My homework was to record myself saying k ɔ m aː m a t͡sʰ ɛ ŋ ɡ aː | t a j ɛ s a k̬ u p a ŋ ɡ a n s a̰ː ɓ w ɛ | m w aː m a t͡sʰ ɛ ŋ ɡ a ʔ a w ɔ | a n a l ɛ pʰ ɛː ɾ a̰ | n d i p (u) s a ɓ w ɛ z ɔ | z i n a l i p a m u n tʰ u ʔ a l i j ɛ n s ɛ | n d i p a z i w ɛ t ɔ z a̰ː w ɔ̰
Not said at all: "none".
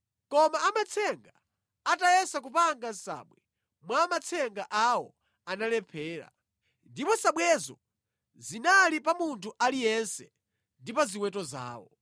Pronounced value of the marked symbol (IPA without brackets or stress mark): ɔ